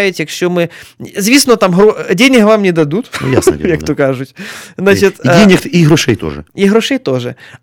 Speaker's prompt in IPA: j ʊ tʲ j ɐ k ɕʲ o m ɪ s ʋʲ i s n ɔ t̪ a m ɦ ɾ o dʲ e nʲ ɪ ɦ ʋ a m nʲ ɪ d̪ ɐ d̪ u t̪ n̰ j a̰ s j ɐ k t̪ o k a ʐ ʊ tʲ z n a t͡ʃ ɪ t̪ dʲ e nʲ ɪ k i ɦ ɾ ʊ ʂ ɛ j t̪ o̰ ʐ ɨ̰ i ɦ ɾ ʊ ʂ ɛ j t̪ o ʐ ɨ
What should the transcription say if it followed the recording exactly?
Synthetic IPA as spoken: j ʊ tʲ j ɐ k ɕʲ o m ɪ z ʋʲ i s n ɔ t̪ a m ɦ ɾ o dʲ e nʲ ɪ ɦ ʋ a m nʲ ɪ d̪ ɐ d̪ u t̪ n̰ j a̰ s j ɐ k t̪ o k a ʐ ʊ tʲ z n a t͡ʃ ɪ t̪ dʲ e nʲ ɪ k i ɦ ɾ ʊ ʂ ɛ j t̪ o̰ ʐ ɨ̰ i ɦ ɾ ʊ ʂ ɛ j t̪ o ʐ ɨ